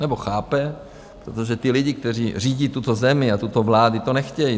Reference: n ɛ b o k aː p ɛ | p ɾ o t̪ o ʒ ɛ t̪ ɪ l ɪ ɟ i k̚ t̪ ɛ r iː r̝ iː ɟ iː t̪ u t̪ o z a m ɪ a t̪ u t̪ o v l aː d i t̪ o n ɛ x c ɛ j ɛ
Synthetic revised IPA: n ɛ b o x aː p ɛ | p ɾ o t̪ o ʒ ɛ t̪ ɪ l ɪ ɟ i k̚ t̪ ɛ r iː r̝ iː ɟ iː t̪ u t̪ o z ɛ m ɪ a t̪ u t̪ o v l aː d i t̪ o n ɛ x c ɛ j i